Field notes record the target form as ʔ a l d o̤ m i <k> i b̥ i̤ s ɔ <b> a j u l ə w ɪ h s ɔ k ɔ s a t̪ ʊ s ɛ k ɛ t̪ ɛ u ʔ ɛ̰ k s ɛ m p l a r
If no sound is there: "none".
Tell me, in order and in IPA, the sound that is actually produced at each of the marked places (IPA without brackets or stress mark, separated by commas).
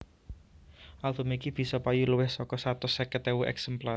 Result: k, p